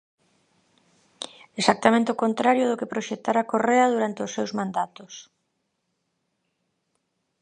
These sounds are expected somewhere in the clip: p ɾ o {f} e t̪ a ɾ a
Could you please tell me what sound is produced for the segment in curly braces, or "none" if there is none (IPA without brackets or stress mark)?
ʃ